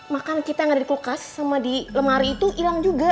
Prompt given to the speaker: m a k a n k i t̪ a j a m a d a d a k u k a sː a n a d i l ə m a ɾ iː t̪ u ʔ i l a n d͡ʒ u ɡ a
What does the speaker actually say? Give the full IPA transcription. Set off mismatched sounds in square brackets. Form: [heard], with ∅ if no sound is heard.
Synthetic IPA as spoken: m a k a n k i t̪ a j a [ŋ] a d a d [i] k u k a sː a [m] a d i l ə m a ɾ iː t̪ u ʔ i l a [ŋ] d͡ʒ u ɡ a